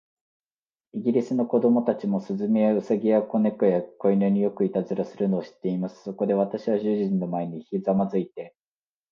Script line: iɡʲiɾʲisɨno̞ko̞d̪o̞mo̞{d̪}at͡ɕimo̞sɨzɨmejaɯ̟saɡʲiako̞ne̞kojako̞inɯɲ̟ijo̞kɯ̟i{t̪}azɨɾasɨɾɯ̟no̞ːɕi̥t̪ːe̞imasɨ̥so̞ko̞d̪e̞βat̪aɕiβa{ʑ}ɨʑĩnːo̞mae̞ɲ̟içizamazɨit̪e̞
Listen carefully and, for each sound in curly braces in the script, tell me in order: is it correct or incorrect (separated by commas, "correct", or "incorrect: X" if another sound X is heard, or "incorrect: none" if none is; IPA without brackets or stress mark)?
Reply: incorrect: t̪, correct, correct